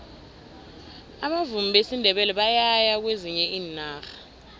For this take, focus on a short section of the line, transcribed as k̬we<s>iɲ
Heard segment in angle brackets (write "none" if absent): z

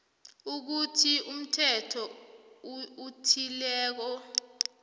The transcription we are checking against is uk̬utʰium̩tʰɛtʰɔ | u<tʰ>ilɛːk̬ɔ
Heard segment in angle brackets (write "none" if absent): tʰ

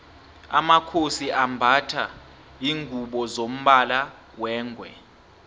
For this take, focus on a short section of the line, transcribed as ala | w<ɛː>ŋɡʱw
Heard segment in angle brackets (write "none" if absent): ɛː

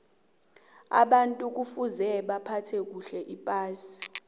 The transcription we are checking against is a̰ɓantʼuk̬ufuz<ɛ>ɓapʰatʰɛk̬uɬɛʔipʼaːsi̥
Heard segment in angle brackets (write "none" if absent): ɛ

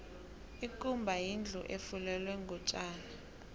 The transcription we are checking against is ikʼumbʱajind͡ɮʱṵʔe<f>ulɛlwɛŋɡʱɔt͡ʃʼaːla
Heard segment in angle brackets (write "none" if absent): f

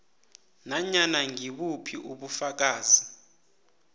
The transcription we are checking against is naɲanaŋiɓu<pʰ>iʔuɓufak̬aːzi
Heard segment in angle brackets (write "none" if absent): pʰ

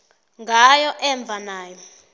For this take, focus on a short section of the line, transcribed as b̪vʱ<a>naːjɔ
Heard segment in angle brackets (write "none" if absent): a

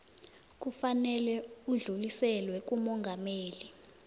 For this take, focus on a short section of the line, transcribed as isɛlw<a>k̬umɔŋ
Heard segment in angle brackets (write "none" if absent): ɛ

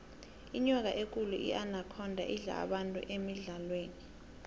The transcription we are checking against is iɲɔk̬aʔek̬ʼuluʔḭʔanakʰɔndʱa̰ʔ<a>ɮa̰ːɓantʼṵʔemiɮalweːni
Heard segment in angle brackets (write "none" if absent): i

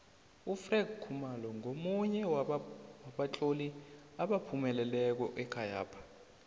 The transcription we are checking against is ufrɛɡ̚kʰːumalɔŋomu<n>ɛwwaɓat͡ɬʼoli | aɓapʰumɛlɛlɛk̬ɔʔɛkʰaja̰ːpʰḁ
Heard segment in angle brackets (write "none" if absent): ɲ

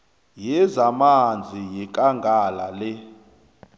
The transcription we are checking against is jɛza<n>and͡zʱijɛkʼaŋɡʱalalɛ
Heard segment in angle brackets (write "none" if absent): m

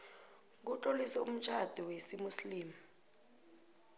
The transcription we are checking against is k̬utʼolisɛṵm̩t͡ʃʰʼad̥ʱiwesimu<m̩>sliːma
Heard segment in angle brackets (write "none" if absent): none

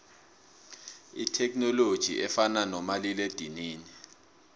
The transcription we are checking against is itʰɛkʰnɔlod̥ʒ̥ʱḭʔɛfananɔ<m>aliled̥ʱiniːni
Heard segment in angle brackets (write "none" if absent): m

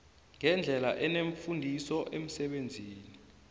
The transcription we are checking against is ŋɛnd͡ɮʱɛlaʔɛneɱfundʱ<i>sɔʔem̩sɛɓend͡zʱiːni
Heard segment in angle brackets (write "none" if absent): i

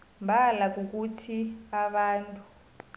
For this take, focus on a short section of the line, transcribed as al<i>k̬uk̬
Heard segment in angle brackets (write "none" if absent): a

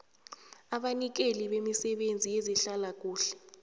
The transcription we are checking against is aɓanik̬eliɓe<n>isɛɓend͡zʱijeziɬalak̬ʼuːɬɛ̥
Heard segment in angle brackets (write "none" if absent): m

